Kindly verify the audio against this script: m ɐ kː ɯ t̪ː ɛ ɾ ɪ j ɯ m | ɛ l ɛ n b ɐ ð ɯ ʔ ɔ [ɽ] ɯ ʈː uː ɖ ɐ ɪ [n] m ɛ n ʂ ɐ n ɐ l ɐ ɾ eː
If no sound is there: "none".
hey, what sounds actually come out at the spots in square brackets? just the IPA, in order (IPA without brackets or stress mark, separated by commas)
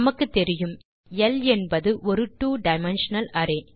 ɾ, none